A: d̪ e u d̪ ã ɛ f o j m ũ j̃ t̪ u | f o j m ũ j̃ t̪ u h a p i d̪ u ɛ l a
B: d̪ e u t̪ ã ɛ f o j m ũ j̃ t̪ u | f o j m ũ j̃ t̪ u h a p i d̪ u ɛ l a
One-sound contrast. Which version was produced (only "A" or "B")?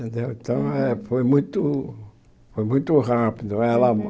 B